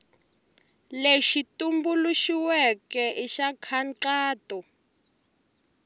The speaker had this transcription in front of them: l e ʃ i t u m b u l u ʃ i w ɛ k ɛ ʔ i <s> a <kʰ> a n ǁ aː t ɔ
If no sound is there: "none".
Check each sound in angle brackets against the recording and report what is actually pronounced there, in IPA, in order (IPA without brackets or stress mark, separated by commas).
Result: ʃ, kʰ